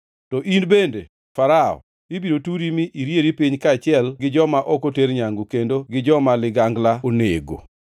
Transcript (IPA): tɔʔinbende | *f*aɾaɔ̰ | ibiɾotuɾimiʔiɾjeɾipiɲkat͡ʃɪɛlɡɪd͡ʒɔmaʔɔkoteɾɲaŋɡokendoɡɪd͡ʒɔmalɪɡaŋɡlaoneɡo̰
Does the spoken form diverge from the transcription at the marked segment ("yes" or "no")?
no